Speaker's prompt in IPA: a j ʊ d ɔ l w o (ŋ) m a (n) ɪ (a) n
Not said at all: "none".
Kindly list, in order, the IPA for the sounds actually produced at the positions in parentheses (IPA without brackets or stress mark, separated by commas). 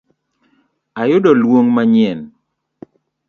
ŋ, ɲ, ɛ